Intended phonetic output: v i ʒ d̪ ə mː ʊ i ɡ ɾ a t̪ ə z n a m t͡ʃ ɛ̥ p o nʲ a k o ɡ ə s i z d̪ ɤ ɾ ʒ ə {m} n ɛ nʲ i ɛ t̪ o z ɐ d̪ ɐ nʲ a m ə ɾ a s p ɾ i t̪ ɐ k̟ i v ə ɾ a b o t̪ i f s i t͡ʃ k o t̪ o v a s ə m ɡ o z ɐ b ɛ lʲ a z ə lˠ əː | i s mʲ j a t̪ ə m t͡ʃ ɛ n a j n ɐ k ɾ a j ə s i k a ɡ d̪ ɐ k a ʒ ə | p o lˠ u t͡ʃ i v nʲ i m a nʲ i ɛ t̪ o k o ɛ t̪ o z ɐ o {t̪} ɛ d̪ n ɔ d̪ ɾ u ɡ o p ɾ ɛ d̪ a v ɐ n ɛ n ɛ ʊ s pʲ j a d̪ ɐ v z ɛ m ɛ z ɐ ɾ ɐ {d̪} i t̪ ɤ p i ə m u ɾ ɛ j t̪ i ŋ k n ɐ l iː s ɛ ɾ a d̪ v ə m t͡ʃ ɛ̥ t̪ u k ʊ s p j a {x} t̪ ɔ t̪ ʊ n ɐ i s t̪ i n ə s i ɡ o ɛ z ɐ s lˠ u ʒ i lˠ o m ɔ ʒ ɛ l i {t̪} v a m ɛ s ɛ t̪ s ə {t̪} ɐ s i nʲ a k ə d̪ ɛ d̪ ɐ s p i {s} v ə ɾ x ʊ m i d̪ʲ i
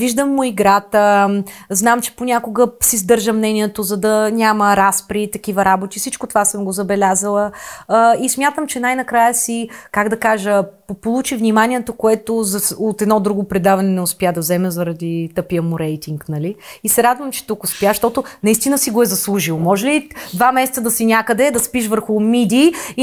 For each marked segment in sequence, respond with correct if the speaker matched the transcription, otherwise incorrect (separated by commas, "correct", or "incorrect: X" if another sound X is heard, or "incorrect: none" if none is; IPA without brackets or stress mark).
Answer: correct, correct, correct, incorrect: ʃ, incorrect: d̪, incorrect: d̪, incorrect: ʃ